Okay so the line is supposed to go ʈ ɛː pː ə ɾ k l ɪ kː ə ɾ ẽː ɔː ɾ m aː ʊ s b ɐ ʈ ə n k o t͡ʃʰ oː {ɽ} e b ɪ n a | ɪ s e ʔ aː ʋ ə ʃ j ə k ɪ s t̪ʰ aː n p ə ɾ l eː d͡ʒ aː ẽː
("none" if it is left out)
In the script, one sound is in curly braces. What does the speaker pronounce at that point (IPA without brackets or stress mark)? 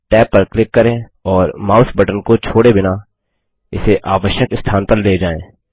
ɽ